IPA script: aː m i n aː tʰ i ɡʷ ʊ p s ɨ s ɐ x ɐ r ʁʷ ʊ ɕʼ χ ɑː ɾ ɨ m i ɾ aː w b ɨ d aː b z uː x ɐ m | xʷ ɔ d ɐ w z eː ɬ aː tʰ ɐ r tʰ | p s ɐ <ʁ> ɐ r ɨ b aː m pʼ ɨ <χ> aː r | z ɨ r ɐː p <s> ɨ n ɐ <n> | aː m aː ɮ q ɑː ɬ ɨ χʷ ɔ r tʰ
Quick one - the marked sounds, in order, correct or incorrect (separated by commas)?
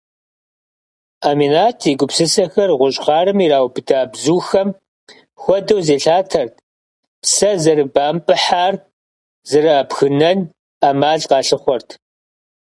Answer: incorrect, incorrect, incorrect, correct